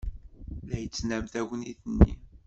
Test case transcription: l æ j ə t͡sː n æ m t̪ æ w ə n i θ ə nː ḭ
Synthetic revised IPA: l æ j ə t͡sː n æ m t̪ æ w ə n i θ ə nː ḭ